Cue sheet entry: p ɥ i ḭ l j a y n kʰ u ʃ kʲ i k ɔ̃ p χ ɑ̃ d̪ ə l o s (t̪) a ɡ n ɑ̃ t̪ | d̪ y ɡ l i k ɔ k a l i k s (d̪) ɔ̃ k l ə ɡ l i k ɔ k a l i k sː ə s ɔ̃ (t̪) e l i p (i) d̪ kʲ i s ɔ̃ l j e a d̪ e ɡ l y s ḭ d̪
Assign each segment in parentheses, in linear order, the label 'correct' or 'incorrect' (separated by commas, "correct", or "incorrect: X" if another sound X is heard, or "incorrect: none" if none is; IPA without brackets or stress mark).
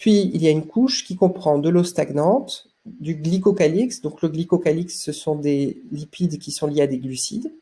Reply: correct, correct, incorrect: d̪, correct